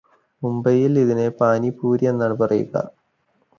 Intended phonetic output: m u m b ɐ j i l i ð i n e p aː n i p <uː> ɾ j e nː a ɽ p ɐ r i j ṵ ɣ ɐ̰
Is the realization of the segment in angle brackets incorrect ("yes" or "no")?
no